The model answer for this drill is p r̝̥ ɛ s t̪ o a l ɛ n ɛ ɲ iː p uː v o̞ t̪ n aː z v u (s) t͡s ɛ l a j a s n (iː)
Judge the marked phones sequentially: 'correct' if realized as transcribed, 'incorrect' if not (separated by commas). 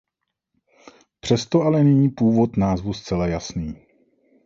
correct, correct